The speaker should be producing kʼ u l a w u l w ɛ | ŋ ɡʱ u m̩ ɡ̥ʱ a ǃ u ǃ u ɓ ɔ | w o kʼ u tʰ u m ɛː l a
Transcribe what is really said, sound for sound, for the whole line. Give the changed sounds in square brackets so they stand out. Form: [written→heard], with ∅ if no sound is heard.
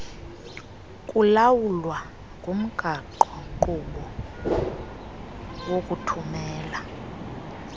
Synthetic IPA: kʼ u l a w u l w [ɛ→a] | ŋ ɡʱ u m̩ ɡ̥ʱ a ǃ [u→ɔ] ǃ u ɓ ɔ | w o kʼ u tʰ u m ɛː l a